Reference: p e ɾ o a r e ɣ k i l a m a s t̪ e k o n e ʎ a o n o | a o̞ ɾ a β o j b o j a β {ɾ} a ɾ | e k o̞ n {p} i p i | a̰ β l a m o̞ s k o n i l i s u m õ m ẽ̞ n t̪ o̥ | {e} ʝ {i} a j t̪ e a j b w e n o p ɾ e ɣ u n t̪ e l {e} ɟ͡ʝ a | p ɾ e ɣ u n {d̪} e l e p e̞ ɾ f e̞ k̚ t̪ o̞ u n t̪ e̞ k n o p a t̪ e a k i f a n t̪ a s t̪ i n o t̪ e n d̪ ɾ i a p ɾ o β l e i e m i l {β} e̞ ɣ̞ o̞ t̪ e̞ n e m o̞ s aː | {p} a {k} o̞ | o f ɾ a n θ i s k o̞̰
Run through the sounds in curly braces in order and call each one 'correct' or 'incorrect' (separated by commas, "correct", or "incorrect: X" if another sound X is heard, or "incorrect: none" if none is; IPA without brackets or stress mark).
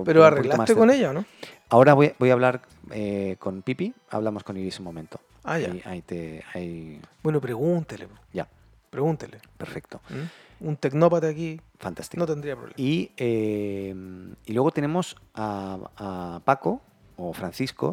incorrect: l, correct, incorrect: a, incorrect: a, correct, incorrect: t̪, incorrect: w, correct, correct